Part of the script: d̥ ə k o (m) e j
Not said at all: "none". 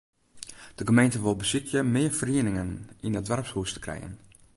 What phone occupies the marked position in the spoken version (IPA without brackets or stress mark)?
m